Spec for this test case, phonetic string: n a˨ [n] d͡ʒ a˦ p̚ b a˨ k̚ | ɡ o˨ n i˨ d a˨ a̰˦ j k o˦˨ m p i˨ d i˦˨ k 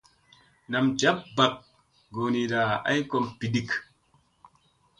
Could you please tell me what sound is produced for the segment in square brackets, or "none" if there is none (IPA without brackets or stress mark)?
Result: m